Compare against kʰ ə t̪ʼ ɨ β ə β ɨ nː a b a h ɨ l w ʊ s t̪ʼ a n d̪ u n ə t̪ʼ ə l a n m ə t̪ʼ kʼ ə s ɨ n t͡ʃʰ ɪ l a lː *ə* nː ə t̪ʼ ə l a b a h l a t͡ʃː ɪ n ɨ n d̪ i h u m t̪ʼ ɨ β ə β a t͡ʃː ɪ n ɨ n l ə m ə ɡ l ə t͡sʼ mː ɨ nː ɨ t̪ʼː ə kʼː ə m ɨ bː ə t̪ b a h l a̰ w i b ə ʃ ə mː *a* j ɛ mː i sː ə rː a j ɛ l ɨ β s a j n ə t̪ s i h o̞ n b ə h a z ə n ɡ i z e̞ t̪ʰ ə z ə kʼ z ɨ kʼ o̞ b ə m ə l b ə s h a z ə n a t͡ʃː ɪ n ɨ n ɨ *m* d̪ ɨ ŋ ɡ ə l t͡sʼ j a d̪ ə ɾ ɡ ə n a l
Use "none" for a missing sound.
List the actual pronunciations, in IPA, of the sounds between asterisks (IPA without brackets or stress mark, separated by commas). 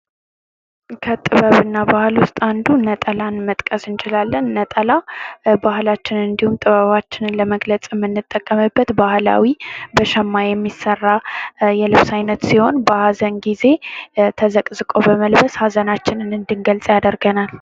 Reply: ə, a, n